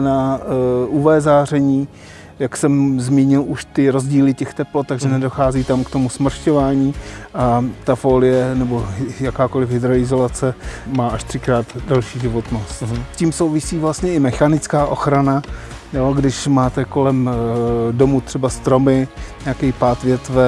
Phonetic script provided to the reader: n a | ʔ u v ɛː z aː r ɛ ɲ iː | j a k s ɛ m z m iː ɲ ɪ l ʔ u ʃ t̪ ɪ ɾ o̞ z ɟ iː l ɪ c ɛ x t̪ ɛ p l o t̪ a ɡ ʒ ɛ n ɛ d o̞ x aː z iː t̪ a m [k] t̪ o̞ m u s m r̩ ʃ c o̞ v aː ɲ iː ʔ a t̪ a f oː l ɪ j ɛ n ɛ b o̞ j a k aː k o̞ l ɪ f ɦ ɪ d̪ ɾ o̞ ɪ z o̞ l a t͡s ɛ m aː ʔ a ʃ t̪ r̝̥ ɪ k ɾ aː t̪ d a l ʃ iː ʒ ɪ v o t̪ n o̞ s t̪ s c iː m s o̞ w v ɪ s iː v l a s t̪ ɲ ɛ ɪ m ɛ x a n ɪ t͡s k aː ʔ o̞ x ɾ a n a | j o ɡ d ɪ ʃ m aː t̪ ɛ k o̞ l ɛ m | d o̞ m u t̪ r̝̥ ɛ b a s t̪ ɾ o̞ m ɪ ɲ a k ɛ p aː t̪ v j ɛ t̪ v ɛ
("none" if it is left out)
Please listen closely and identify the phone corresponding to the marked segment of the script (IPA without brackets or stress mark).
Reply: k